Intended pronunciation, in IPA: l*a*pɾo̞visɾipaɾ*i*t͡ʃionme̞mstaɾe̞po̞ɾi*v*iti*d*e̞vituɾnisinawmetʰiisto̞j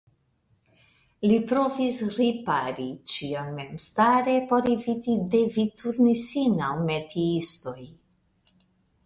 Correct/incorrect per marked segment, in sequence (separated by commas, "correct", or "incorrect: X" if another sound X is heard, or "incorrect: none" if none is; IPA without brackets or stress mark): incorrect: i, correct, correct, correct